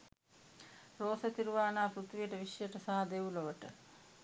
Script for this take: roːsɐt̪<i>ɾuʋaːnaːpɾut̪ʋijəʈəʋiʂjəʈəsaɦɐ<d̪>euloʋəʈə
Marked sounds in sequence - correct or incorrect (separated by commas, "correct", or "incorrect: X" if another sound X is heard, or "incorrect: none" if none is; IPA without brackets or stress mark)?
correct, correct